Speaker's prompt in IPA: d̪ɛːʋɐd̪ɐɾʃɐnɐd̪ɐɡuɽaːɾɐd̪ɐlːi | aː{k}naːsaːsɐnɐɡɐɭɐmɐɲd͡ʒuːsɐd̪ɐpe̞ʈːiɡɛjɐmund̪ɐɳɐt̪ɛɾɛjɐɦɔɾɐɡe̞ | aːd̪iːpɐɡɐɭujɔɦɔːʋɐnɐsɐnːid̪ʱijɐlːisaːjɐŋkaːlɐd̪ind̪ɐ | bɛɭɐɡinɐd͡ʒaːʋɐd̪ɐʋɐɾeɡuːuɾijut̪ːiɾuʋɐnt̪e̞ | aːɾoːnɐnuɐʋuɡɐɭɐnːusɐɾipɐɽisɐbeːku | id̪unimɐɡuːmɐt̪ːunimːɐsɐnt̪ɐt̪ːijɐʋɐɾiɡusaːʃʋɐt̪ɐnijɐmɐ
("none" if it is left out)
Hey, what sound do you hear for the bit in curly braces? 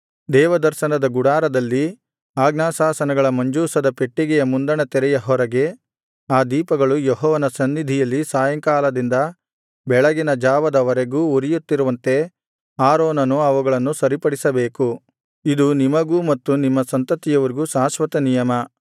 ɡ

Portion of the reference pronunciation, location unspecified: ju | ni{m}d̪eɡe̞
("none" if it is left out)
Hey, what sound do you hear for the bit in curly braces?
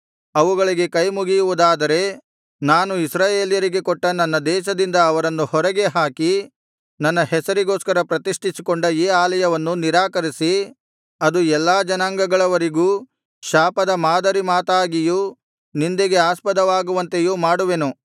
n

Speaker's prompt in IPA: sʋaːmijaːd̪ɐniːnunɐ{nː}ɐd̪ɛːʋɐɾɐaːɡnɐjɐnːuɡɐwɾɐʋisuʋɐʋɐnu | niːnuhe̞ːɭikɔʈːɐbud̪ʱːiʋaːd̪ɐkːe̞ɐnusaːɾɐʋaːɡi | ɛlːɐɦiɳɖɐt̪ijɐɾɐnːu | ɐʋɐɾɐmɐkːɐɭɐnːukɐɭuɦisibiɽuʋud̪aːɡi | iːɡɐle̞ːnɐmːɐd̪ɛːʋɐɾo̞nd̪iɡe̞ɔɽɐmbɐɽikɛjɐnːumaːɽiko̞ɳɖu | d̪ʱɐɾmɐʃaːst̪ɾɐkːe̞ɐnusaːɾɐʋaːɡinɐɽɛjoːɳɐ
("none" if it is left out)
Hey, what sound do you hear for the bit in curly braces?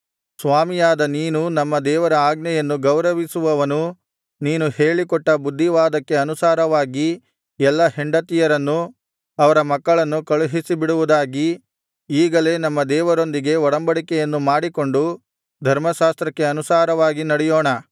mː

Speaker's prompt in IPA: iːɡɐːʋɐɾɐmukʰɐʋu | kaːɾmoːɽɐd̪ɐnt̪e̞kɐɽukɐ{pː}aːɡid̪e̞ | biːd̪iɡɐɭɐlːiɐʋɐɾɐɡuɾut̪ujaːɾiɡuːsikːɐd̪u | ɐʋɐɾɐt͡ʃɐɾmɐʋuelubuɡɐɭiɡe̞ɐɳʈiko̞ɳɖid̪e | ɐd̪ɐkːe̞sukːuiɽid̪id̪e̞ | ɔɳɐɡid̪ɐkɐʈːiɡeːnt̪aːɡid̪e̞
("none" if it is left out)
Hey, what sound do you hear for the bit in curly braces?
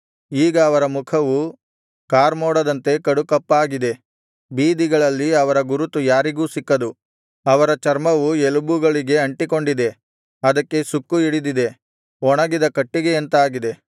pː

